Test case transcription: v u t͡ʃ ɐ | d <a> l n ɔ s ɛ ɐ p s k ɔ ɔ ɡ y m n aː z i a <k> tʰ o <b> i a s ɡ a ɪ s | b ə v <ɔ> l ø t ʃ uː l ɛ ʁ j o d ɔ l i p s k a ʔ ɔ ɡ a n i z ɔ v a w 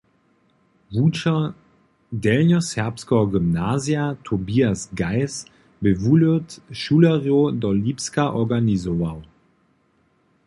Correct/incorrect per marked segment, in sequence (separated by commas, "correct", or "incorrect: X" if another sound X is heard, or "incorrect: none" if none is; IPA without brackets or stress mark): incorrect: ɛ, incorrect: none, correct, incorrect: u